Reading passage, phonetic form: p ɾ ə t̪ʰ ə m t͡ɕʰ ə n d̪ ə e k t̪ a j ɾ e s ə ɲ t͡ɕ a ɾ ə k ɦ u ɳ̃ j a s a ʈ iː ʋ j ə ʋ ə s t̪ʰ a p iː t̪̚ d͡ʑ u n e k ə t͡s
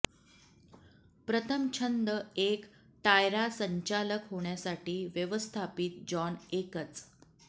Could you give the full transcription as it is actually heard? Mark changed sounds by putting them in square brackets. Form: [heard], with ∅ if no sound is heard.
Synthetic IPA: p ɾ ə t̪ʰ ə m t͡ɕʰ ə n d̪ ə e k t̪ a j ɾ [a] s ə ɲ t͡ɕ a [l] ə k ɦ [o] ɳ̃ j a s a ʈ iː ʋ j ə ʋ ə s t̪ʰ a p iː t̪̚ d͡ʑ [ɔ] n e k ə t͡s